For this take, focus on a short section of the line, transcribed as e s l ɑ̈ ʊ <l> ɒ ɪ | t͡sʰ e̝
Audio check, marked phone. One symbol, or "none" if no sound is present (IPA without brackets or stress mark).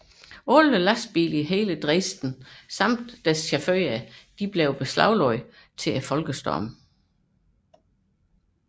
l